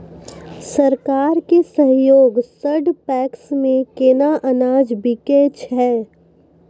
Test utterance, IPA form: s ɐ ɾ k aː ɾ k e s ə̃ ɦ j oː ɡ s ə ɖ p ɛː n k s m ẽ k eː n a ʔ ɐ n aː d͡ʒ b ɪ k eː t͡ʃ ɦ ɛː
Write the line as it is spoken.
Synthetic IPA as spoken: s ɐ ɾ k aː ɾ k e s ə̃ ɦ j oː ɡ s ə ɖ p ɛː k s m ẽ k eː n a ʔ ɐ n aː d͡ʒ b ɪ k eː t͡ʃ ɦ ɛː